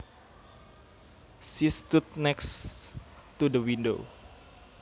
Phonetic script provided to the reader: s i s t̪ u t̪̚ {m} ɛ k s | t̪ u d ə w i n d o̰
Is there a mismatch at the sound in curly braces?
yes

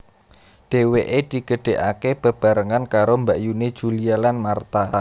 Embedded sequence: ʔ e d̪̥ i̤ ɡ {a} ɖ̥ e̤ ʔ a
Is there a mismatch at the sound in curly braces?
yes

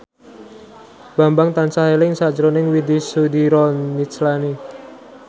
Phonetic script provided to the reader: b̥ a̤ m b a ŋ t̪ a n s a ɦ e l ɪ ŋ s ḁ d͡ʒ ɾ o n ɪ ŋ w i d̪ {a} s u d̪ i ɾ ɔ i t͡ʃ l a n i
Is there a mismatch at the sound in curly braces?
yes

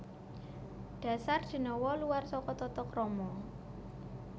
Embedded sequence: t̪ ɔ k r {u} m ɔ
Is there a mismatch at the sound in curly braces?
yes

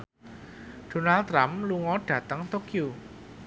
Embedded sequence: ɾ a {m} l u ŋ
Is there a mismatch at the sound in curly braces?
no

